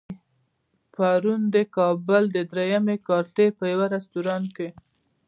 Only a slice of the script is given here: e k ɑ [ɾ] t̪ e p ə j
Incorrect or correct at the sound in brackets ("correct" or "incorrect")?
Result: correct